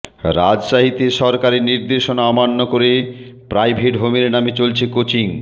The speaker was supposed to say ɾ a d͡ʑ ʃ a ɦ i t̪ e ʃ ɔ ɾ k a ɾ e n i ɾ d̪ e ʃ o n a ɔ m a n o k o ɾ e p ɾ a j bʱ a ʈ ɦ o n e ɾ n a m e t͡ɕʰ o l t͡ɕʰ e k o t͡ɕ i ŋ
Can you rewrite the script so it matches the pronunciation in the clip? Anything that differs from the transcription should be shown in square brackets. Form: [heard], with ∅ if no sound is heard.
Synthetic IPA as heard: ɾ a d͡ʑ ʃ a ɦ i t̪ e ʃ ɔ ɾ k a ɾ e n i ɾ d̪ e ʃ o n a ɔ m a [nː] o k o ɾ e p ɾ a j bʱ [e] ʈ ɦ o [m] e ɾ n a m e [t͡ɕ] o l t͡ɕʰ e k o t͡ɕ i ŋ